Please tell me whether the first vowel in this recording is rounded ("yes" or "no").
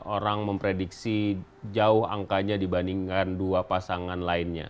yes